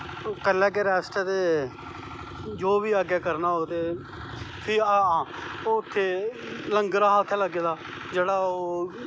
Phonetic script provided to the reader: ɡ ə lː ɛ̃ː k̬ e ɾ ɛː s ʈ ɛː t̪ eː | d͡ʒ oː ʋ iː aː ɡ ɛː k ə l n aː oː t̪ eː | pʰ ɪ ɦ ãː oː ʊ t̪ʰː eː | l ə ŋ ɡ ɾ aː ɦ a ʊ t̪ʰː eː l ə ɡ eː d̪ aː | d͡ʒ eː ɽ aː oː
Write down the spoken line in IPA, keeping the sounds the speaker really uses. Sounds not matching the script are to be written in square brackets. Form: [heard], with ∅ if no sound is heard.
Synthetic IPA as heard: [k] ə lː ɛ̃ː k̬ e ɾ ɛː s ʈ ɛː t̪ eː | d͡ʒ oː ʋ iː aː ɡ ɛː k ə [ɾ] n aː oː t̪ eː | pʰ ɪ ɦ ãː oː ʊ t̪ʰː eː | l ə ŋ ɡ ɾ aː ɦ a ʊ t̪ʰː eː l ə ɡ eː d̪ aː | d͡ʒ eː ɽ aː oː